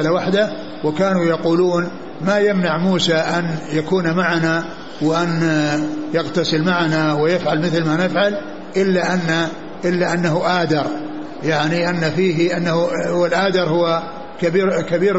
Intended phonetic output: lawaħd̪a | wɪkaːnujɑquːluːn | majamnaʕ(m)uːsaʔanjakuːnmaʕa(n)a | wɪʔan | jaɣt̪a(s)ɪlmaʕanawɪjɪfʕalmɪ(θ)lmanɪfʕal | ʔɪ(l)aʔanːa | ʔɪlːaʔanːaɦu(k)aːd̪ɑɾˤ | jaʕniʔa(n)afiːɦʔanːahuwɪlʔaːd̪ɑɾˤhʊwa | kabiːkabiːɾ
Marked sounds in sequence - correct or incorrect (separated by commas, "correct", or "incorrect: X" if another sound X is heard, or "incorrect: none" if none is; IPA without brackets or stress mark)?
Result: correct, correct, correct, correct, incorrect: lː, incorrect: ʔ, incorrect: nː